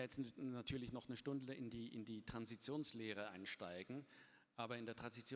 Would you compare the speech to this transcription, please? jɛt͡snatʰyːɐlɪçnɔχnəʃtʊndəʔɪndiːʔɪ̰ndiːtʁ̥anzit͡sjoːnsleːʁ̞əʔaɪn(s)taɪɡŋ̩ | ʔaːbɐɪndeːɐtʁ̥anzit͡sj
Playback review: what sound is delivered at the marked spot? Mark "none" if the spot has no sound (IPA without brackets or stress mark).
ʃ